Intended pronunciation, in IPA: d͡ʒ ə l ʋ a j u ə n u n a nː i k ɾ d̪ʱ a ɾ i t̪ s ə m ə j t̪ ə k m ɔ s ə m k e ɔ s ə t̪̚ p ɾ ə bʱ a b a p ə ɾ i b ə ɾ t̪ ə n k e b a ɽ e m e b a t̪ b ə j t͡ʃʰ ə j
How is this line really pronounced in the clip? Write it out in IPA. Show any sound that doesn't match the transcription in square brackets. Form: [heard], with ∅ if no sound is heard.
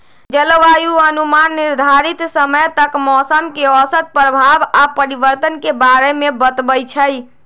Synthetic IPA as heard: d͡ʒ ə l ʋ a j u ə n u [m] a nː i [∅] ɾ d̪ʱ a ɾ i t̪ s ə m ə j t̪ ə k m ɔ s ə m k e ɔ s ə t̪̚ p ɾ ə bʱ a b a p ə ɾ i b ə ɾ t̪ ə n k e b a [ɾ] e m e b [ə] t̪ b ə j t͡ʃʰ ə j